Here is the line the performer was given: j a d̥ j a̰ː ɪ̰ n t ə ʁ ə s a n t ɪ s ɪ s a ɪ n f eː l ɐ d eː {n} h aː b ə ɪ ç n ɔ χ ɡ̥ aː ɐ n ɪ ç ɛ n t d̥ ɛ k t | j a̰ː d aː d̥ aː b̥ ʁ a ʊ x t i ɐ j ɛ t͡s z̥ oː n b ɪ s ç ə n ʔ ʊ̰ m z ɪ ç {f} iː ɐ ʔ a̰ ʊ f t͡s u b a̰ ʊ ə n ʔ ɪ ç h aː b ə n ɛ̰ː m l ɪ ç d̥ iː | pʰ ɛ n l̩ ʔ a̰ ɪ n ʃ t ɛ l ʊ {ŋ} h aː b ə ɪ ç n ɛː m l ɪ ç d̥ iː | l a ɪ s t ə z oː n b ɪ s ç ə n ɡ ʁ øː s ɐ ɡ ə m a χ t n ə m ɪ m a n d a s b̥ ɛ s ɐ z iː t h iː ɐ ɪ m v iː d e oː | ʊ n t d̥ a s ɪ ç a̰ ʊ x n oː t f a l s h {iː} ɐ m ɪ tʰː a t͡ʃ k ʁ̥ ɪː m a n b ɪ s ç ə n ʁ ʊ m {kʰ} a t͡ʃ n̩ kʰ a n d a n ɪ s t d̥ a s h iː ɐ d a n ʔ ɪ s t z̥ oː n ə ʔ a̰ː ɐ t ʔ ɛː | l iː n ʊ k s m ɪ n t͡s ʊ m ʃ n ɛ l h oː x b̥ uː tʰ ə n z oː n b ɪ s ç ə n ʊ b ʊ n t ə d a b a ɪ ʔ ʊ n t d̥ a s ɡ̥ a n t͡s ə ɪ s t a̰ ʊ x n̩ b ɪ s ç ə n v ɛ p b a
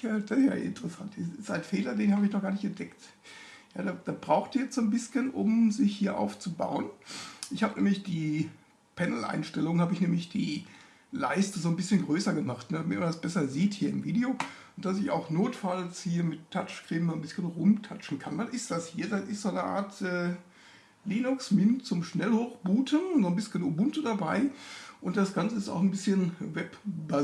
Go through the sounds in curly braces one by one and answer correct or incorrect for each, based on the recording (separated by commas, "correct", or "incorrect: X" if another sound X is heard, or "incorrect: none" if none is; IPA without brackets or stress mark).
correct, incorrect: h, correct, correct, incorrect: tʰ